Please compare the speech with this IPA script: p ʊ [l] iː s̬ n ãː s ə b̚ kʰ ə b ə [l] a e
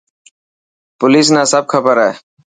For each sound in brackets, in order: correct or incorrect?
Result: correct, incorrect: ɾ

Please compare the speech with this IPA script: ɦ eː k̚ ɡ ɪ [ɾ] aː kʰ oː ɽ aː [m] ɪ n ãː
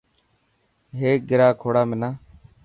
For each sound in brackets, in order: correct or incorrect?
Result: correct, correct

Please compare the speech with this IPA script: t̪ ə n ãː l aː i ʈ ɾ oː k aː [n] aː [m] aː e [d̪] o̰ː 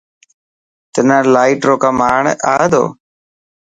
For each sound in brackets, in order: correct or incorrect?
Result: incorrect: m, incorrect: ɳ, correct

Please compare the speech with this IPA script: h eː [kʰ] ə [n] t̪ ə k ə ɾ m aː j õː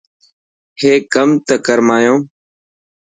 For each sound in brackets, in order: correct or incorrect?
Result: incorrect: k, incorrect: m

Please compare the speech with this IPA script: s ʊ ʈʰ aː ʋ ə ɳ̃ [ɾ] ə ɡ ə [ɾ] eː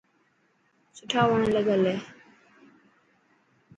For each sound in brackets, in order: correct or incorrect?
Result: incorrect: l, incorrect: l

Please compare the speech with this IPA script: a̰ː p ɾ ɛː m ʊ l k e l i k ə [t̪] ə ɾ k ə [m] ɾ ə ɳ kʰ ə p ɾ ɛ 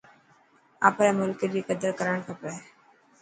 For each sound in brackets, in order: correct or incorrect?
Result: incorrect: d̪, incorrect: none

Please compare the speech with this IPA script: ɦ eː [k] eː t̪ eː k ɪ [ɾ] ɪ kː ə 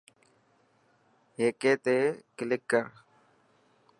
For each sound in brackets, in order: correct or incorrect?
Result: correct, incorrect: l

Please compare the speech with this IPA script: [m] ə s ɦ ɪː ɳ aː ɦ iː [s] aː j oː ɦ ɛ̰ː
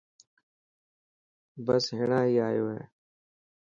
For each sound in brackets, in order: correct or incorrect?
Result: incorrect: b, incorrect: none

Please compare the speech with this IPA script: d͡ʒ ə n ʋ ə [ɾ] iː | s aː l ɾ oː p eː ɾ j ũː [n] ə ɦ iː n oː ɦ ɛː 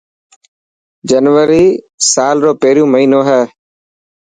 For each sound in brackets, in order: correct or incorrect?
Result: correct, incorrect: m

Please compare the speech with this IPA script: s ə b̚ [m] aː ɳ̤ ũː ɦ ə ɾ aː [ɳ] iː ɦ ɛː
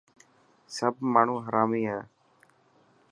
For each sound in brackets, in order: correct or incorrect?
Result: correct, incorrect: m

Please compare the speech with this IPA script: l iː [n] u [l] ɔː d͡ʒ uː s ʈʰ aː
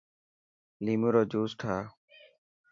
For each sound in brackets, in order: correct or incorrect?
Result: incorrect: m, incorrect: ɾ

